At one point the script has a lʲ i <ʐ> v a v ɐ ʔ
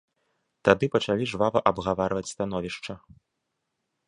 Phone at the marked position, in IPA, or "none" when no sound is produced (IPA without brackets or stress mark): ʐ